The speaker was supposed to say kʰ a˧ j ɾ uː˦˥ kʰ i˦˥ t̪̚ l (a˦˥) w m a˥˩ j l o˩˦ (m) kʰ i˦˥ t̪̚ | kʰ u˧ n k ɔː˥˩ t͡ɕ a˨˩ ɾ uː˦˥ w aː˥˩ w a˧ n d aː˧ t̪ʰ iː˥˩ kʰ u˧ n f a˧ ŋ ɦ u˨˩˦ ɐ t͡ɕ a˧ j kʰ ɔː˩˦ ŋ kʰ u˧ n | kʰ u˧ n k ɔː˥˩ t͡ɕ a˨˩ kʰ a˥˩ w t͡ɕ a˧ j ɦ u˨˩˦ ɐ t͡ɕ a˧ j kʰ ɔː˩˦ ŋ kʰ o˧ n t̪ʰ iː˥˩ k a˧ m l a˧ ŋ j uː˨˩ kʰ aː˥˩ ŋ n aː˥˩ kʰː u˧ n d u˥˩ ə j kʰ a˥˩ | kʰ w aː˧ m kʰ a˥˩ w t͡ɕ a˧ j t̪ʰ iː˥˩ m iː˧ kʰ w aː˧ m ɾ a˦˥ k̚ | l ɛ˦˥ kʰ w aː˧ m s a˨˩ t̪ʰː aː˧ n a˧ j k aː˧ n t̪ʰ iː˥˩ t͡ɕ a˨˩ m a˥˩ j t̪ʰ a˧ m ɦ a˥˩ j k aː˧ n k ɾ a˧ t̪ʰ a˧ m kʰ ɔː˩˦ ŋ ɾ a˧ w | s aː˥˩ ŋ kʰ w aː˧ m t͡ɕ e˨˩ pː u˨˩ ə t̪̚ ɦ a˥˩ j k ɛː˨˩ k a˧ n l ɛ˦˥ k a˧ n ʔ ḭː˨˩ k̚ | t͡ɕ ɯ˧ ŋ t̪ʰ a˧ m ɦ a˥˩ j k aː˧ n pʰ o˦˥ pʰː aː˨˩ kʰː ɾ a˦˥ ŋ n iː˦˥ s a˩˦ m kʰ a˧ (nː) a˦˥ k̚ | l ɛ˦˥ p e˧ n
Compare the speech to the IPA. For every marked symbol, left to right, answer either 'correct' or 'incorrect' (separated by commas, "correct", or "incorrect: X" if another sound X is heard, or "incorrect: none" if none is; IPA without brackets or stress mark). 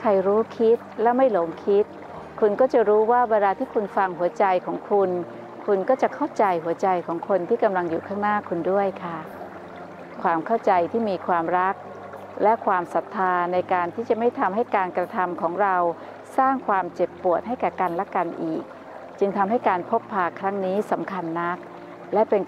incorrect: ɛ˦˥, incorrect: ŋ, correct